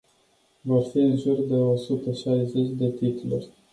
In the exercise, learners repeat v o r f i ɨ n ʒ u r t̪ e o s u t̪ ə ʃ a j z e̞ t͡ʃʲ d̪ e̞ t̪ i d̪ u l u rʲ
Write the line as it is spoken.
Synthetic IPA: v o r f i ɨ n ʒ u r d̪ e o s u t̪ ə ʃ a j z e̞ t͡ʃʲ d̪ e̞ t̪ i t̪ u l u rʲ